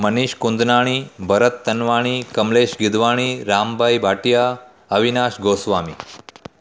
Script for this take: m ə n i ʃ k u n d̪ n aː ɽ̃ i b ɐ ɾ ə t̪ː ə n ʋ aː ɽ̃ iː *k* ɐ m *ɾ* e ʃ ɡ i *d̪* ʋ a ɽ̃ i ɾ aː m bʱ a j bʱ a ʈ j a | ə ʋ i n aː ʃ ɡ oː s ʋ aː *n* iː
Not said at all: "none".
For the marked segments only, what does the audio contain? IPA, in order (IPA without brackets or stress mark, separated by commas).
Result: k, l, d̪, m